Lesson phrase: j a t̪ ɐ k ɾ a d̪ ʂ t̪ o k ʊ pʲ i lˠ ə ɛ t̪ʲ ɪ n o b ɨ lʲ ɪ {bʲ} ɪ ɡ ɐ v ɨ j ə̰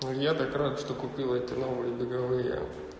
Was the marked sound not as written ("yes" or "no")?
no